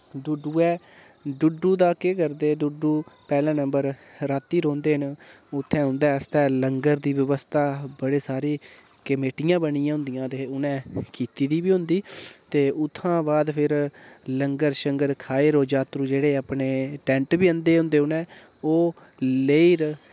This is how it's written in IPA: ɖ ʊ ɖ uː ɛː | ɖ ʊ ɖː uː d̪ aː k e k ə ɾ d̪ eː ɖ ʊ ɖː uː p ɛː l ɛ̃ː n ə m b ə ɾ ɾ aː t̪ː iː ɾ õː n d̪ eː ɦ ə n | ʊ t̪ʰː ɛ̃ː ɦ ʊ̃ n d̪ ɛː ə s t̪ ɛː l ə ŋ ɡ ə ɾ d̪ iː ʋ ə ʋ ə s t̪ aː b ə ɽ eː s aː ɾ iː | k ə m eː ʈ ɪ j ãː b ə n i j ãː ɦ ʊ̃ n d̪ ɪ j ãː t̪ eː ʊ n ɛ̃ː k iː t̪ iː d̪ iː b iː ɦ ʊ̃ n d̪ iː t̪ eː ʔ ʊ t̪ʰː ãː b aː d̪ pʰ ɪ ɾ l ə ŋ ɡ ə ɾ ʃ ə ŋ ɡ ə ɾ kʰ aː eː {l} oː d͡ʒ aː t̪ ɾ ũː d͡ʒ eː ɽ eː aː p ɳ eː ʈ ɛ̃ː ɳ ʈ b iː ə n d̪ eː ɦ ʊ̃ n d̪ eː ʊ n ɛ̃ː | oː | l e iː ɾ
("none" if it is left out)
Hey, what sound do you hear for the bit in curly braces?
ɾ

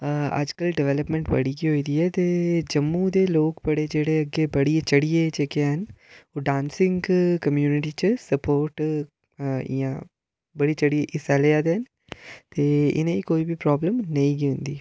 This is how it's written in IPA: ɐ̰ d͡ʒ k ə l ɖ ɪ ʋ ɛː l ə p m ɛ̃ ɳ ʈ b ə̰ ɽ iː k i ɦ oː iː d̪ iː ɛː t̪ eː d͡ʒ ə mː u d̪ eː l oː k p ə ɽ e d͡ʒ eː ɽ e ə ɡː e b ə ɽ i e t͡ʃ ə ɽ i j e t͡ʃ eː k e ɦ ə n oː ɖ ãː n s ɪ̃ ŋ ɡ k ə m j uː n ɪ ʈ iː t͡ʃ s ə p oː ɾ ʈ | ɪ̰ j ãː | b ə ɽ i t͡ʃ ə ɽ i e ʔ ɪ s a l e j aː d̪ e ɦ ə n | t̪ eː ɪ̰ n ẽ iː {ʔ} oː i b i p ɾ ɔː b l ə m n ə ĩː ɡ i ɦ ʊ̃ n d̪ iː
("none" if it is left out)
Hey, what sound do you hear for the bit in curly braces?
k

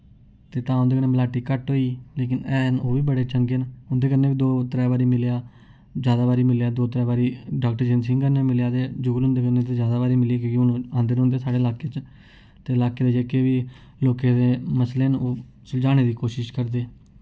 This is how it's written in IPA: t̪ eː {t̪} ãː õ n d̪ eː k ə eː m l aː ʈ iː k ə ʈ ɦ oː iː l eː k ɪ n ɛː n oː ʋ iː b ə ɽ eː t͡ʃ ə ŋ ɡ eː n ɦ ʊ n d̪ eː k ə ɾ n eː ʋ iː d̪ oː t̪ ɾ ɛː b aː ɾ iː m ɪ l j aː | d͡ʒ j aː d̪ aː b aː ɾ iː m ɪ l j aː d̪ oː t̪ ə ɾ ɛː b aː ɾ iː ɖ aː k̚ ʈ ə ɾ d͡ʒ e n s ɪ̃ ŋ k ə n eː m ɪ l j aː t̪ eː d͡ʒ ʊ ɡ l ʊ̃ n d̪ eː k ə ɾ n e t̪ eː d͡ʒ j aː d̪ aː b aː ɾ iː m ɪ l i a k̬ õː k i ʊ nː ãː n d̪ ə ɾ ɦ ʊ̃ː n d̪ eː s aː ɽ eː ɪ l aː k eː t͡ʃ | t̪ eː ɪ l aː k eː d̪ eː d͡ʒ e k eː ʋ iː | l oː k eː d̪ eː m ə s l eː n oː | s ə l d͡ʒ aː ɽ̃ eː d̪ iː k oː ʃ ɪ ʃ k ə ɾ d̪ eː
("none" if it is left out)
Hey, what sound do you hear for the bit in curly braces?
t̪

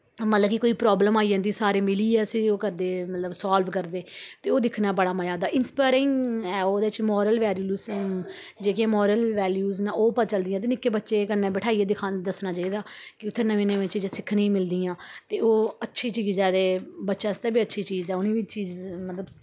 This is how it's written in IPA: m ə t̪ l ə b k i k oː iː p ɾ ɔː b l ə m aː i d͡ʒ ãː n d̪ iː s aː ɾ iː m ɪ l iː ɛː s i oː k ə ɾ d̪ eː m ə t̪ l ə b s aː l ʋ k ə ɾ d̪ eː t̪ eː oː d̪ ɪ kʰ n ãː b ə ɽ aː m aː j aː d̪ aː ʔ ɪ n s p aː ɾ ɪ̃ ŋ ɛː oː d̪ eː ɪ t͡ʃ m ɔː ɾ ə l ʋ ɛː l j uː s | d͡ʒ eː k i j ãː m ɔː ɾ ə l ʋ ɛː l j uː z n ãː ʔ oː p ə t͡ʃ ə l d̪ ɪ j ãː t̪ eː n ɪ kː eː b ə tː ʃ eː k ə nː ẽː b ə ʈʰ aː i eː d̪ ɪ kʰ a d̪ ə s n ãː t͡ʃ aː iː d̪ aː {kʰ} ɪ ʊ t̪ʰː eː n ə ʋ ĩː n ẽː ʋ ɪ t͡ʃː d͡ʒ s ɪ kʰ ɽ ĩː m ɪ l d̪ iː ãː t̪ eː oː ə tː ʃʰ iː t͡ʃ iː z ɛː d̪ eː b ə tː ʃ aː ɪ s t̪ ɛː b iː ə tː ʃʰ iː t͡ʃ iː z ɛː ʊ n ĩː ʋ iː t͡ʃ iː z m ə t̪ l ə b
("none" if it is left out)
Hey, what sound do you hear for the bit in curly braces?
k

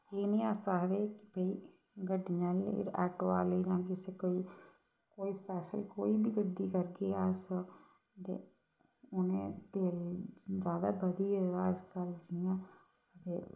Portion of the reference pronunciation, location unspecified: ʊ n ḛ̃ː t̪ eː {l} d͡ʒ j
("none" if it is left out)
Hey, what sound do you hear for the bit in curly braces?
l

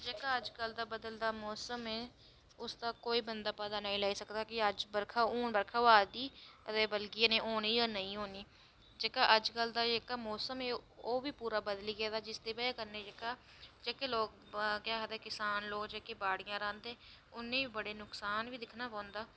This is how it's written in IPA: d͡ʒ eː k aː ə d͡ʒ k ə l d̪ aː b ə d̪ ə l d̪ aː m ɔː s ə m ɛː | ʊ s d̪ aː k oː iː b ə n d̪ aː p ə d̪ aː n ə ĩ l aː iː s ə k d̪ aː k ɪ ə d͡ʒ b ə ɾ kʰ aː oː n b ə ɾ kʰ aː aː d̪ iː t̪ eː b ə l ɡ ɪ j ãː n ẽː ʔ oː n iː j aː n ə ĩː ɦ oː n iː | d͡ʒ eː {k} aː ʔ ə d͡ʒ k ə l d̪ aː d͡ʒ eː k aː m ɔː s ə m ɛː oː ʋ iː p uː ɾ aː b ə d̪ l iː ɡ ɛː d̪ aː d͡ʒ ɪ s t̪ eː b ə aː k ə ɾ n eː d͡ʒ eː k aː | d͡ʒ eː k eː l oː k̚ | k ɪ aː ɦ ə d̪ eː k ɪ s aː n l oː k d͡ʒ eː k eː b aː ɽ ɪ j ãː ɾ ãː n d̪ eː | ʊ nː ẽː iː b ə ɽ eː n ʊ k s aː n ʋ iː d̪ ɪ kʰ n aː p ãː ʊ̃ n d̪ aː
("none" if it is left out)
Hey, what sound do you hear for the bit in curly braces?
k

